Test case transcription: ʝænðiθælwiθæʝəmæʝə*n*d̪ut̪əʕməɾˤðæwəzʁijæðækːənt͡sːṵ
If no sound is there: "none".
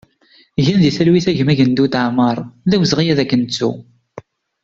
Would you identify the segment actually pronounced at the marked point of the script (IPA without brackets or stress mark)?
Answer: n